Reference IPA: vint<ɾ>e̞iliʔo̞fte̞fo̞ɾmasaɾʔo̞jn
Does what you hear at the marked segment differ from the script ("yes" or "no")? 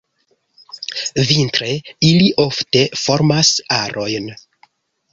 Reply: no